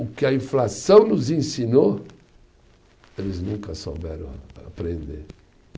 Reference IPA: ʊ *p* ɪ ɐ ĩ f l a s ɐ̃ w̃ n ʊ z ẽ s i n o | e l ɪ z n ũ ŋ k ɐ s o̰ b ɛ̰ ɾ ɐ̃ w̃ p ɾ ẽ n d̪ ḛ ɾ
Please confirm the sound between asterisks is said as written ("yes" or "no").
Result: no